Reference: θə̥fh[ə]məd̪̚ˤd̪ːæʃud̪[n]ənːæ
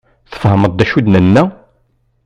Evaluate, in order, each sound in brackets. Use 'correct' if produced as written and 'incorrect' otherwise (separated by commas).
correct, correct